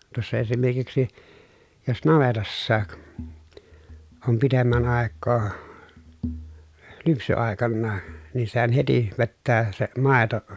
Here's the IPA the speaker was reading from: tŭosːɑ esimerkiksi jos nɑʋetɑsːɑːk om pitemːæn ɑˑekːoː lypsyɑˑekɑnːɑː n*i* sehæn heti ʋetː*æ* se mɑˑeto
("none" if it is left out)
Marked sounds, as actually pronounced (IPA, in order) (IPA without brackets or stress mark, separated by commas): iː, æː